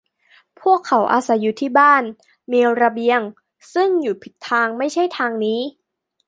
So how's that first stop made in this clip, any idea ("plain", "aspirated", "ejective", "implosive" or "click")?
aspirated